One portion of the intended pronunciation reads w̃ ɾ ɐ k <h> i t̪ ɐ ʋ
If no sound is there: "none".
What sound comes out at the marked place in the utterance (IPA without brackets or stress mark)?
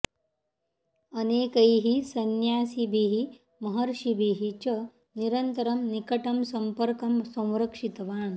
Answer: ʂ